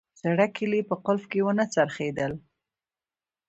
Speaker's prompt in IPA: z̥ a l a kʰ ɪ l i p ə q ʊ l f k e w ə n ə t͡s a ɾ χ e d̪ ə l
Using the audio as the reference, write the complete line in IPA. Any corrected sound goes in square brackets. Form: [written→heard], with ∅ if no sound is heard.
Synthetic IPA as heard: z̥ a [l→ɽ] a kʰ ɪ l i p ə q ʊ l f k e w ə n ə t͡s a ɾ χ e d̪ ə l